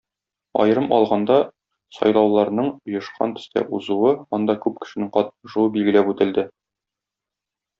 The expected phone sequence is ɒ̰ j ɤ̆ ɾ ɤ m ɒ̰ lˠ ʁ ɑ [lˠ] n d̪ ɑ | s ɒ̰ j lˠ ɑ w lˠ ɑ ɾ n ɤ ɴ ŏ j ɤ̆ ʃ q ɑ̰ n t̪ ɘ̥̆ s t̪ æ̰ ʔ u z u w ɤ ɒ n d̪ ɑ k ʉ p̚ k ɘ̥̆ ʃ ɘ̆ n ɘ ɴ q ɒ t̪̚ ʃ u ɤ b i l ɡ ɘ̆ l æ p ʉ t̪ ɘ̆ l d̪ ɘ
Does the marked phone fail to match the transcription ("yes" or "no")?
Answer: yes